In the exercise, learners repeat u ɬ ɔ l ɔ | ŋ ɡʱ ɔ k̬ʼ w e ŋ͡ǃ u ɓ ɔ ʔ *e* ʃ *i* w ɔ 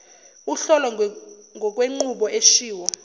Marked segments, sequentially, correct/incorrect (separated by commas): correct, incorrect